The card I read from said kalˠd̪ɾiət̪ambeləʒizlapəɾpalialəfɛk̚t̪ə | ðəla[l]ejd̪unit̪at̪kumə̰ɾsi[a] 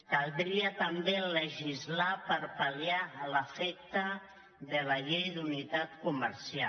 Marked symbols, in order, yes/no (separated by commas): no, yes